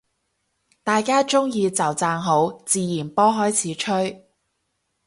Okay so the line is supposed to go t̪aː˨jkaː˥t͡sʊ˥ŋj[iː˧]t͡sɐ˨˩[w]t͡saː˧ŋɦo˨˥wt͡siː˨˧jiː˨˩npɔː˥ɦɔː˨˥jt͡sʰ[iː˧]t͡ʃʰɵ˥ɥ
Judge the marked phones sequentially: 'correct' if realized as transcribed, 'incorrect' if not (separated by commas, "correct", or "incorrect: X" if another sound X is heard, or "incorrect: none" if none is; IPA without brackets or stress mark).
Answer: correct, correct, incorrect: iː˨˥